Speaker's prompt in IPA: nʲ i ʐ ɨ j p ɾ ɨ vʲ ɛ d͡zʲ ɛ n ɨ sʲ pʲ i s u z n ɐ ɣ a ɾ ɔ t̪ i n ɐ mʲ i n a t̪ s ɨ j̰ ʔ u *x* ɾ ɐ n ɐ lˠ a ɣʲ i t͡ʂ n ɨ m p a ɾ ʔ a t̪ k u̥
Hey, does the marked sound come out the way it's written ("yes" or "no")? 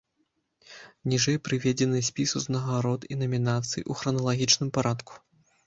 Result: yes